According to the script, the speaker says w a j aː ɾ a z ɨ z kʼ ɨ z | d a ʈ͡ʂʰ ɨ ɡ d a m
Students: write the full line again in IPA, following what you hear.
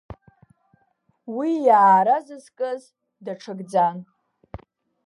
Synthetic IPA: w i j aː ɾ a z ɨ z kʼ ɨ z | d a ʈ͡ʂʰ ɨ ɡ d͡z a n